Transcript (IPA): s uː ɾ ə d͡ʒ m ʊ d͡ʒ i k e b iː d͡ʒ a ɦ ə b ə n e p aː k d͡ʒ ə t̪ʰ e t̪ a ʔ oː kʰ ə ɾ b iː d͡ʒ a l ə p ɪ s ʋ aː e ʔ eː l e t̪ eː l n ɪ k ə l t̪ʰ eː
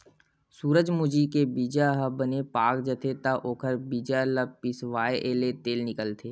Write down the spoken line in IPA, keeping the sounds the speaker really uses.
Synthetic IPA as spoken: s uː ɾ ə d͡ʒ m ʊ d͡ʒ i k e b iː d͡ʒ a ɦ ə b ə n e p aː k d͡ʒ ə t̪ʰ e t̪ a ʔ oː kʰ ə ɾ b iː d͡ʒ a l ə p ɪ s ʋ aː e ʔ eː l e t̪ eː l n ɪ k ə l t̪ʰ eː